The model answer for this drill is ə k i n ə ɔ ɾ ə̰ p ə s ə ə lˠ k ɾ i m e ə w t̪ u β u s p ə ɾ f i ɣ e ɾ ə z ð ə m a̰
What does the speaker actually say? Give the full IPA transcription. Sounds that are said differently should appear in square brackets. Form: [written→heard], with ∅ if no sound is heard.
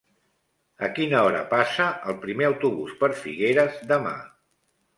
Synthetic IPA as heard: ə k i n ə ɔ ɾ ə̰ p [ə→a] s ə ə lˠ [k→p] ɾ i m e ə w t̪ u β u s p ə ɾ f i ɣ e ɾ ə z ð ə m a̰